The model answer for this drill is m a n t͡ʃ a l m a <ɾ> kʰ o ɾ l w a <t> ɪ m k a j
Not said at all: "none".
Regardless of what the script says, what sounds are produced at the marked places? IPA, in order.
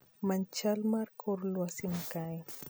ɾ, s

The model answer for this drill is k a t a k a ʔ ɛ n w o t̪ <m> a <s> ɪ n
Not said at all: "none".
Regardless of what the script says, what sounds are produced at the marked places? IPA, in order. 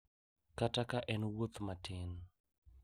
m, t

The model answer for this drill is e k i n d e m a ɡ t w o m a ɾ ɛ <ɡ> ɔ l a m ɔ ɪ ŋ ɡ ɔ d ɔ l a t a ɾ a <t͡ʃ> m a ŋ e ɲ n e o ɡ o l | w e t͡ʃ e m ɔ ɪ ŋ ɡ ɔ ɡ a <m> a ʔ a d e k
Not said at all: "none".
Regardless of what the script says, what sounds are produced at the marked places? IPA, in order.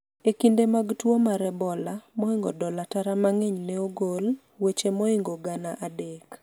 b, none, n

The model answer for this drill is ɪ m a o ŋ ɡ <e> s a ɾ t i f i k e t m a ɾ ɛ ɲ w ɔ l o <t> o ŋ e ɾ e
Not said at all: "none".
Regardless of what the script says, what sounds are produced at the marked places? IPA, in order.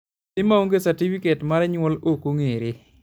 e, k

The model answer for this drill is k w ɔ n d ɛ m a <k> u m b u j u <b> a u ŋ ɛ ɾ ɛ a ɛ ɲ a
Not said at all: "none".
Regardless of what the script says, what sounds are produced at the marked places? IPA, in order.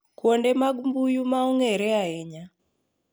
ɡ, m

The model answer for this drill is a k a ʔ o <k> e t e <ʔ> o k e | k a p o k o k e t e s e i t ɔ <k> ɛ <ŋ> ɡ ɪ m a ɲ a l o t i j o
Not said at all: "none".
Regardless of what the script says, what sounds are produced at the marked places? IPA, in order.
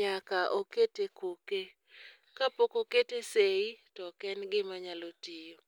k, k, k, n

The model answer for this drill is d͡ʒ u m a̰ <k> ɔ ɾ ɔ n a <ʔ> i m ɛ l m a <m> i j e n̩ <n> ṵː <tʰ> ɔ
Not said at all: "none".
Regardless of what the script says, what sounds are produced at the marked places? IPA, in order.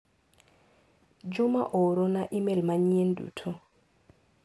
ʔ, ʔ, ɲ, d, tʰ

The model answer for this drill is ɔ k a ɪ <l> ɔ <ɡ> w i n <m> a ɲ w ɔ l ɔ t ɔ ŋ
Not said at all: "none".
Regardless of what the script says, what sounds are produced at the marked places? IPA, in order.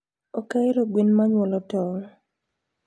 ɾ, ɡ, m

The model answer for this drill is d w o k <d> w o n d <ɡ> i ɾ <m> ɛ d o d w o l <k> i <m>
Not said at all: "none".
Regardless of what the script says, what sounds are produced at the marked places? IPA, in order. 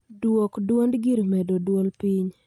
d, ɡ, m, p, ɲ

